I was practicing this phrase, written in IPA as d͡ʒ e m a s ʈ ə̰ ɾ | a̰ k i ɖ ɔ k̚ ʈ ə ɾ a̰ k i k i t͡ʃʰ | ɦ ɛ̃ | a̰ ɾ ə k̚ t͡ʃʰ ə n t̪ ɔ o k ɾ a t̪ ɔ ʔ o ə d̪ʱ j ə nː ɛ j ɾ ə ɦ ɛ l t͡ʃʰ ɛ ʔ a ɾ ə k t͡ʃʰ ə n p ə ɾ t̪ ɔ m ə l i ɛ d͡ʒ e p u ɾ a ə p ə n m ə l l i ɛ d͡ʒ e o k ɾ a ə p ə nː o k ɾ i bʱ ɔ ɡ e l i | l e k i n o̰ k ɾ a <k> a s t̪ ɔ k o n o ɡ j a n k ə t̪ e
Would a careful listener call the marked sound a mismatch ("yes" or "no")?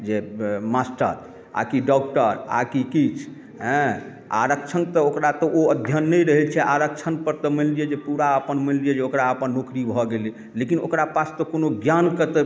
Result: yes